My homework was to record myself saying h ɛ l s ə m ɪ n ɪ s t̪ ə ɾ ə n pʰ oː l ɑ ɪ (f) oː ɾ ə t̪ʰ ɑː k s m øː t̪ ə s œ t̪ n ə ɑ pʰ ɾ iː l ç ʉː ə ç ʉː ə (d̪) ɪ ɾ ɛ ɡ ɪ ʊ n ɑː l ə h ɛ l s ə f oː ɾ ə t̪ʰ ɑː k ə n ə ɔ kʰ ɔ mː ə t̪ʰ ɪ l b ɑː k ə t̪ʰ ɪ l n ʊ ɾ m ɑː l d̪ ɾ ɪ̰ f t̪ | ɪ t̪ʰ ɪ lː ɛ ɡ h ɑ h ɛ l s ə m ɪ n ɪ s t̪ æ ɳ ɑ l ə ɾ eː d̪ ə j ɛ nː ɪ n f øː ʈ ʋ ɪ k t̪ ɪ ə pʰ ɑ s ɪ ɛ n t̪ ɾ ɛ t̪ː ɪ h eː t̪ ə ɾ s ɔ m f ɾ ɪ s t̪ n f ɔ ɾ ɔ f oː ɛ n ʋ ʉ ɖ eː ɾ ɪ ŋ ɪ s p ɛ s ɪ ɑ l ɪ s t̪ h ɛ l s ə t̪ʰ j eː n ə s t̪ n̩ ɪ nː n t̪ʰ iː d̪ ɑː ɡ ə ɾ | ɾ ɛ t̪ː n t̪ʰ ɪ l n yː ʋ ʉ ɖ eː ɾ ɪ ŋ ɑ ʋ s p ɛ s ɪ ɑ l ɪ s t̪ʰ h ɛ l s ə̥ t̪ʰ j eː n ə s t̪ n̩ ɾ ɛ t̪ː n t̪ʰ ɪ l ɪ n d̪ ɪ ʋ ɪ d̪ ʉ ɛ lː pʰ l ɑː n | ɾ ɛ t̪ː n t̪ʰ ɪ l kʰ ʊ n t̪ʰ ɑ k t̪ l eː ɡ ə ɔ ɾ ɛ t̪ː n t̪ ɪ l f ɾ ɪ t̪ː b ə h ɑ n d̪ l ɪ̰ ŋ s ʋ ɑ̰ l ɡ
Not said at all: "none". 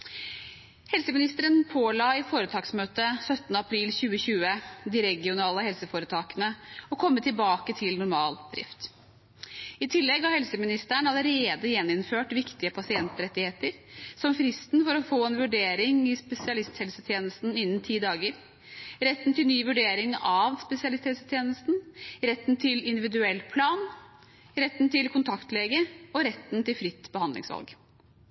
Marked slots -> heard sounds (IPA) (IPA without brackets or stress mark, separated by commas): f, d̪